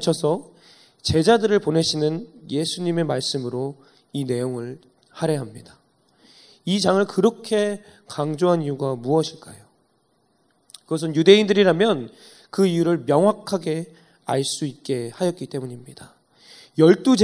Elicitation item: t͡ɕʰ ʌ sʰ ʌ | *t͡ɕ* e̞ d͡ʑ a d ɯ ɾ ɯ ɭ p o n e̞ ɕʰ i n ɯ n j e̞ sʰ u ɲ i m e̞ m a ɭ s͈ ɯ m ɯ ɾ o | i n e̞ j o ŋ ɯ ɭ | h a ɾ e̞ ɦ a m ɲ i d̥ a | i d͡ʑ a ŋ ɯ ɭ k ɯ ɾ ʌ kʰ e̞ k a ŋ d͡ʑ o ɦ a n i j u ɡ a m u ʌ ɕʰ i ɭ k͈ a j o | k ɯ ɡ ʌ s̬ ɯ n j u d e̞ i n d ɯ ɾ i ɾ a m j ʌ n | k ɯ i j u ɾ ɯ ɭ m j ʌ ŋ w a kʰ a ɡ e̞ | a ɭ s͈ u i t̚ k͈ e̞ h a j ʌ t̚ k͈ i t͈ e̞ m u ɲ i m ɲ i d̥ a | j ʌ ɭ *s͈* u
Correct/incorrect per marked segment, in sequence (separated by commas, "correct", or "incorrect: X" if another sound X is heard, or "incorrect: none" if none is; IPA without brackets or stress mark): correct, incorrect: t͈